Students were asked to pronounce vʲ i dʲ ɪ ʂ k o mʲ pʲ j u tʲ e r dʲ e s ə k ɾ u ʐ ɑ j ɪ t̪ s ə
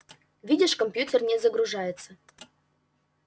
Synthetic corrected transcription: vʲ i dʲ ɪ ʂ k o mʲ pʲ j u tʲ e r nʲ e z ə ɡ ɾ u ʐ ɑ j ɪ t̪ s ə